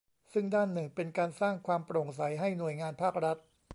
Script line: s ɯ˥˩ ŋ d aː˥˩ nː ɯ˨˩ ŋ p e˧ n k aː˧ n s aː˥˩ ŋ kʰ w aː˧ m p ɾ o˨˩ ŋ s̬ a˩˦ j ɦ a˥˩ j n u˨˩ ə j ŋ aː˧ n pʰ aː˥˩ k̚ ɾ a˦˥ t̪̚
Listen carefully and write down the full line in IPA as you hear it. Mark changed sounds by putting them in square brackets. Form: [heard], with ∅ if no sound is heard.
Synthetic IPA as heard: s ɯ˥˩ ŋ d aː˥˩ nː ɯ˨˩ ŋ p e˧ n k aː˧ n s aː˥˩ ŋ kʰ w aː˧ m p ɾ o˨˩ ŋ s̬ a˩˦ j ɦ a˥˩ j n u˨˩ ə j ŋ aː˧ n pʰ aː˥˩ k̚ ɾ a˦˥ t̪̚